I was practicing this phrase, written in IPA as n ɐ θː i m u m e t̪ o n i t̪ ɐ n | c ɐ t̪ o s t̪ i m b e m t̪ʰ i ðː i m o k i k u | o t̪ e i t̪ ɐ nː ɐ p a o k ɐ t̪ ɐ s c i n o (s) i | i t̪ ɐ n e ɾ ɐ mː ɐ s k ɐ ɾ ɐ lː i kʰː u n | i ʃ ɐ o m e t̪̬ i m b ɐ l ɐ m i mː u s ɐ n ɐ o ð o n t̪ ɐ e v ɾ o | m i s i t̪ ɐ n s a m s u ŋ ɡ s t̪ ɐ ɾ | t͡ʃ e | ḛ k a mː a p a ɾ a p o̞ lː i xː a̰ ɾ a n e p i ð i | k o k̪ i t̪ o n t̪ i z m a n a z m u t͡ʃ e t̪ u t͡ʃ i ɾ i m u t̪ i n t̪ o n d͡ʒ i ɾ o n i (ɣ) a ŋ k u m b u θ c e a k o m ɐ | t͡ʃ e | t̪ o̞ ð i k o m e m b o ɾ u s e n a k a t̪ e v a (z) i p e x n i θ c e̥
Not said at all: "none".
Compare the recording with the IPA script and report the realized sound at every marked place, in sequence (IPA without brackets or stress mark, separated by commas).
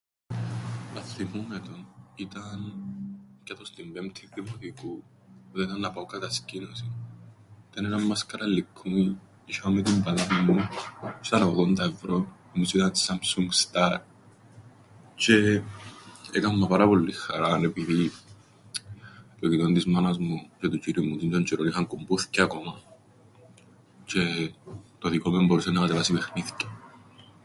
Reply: s, x, s